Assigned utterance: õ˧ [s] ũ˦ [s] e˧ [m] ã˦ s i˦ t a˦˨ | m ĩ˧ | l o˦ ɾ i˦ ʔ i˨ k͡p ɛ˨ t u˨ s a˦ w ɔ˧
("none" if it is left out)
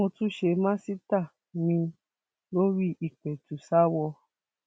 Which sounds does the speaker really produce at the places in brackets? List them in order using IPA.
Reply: t, ʃ, m

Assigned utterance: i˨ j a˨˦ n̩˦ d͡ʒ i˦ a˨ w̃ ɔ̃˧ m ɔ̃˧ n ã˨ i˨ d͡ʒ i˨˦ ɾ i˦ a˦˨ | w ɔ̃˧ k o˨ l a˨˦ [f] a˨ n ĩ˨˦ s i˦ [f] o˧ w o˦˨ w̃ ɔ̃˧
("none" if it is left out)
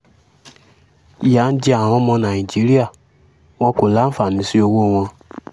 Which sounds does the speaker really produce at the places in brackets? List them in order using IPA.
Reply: f, none

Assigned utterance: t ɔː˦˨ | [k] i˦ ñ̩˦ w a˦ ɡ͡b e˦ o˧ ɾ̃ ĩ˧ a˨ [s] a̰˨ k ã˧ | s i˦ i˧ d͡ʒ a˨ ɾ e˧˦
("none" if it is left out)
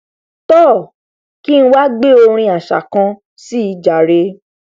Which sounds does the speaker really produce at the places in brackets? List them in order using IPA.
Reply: k, ʃ

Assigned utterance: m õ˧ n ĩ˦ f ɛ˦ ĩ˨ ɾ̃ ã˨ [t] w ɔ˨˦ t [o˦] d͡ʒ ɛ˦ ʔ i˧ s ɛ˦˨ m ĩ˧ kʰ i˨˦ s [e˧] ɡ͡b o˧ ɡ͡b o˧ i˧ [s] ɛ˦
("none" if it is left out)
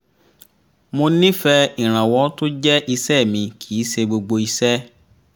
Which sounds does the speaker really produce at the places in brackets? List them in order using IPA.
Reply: none, o˦, e˧, s

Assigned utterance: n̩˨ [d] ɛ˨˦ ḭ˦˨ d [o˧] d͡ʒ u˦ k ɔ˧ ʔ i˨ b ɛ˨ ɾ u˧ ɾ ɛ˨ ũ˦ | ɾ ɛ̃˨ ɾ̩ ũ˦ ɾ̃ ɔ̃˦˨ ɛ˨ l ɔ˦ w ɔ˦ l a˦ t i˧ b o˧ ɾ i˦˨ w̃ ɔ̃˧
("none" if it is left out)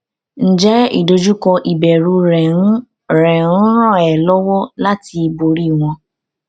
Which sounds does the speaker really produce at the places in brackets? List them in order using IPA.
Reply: d͡ʒ, o˧

